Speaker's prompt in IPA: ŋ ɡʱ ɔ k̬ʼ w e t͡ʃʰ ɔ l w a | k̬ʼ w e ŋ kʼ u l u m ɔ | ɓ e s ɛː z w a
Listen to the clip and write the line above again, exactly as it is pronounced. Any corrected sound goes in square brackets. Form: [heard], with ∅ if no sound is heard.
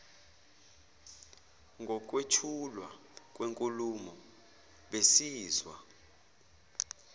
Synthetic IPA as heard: ŋ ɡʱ ɔ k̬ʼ w e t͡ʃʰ [u] l w a | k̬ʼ w e ŋ kʼ u l u m ɔ | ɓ e s [iː] z w a